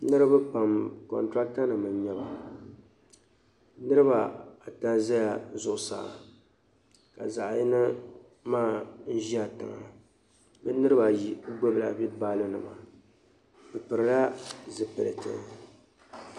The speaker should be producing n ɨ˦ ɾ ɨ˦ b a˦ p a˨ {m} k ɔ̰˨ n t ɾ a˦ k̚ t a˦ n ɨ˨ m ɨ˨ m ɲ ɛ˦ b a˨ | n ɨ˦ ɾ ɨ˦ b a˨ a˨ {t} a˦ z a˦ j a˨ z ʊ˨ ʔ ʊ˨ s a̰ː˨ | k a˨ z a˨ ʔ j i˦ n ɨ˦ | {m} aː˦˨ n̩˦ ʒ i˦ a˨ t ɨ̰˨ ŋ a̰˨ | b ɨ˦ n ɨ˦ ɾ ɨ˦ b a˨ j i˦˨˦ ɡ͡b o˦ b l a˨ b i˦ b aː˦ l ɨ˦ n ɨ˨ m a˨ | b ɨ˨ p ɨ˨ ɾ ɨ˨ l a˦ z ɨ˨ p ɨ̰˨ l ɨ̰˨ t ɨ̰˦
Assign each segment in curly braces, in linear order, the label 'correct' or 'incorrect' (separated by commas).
correct, correct, correct